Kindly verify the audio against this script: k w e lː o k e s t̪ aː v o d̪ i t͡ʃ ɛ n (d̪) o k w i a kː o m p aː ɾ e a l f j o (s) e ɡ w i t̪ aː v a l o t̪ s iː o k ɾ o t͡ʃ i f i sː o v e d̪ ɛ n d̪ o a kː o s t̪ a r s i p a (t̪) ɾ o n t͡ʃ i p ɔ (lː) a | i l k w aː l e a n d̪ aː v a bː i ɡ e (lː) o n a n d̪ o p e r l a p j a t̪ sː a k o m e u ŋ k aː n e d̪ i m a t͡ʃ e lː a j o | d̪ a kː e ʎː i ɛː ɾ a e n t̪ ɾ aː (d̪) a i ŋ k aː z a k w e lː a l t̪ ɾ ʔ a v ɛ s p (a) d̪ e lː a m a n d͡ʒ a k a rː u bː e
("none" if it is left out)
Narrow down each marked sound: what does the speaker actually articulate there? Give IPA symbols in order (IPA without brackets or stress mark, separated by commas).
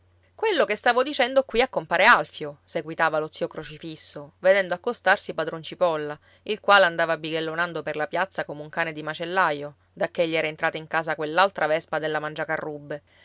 d̪, s, d̪, lː, lː, t̪, a